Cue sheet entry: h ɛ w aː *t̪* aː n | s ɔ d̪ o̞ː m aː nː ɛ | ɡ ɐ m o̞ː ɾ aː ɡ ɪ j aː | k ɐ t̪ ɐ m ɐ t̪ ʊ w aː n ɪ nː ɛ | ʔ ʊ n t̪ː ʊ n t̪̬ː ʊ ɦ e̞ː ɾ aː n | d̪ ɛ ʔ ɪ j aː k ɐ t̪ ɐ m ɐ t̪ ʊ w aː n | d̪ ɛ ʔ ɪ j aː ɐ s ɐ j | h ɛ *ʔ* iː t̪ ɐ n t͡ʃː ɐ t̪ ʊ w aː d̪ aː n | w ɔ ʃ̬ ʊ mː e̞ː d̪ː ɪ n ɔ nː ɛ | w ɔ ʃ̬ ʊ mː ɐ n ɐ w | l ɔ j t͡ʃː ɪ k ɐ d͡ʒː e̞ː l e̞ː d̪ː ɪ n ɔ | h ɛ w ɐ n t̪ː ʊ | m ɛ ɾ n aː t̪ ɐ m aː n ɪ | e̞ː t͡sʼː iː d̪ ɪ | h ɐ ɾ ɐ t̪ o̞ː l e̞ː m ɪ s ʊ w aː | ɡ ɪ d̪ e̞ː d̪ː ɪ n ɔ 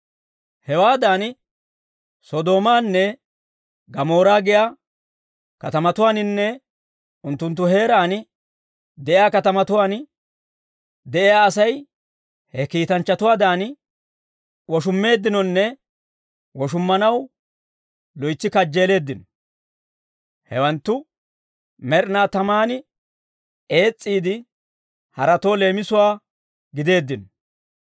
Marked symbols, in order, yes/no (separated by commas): no, no